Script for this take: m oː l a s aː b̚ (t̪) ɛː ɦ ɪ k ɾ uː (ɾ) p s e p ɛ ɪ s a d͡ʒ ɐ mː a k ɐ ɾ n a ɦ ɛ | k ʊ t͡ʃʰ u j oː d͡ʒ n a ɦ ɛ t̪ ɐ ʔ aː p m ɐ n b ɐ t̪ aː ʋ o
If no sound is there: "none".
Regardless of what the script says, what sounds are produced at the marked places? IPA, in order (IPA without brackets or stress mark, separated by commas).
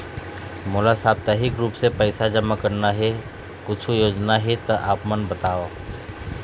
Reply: t̪, none